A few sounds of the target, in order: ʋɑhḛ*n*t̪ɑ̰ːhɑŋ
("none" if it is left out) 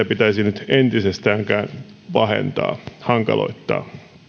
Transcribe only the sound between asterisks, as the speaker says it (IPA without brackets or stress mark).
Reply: n